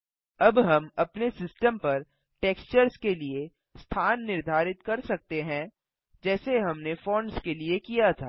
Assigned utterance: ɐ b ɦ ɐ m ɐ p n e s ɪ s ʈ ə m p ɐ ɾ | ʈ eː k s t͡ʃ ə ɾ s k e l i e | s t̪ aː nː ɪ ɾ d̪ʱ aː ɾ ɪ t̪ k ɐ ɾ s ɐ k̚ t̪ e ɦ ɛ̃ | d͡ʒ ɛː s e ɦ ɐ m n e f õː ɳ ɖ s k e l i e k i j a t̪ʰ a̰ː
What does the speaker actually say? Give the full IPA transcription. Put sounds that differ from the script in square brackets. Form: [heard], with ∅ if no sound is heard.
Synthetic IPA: ɐ b ɦ ɐ m ɐ p n e s ɪ s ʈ ə m p ɐ ɾ | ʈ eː k s t͡ʃ ə ɾ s k e l i e | s [t̪ʰ] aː nː ɪ ɾ d̪ʱ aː ɾ ɪ t̪ k ɐ ɾ s ɐ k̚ t̪ e ɦ ɛ̃ | d͡ʒ ɛː s e ɦ ɐ m n e f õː ɳ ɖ s k e l i e k i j a t̪ʰ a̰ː